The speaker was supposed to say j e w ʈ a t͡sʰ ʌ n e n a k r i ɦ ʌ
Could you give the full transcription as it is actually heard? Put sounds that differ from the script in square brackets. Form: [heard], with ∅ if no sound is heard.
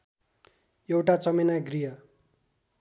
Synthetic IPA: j e w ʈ a [t͡s] ʌ [m] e n a [ɡ] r i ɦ ʌ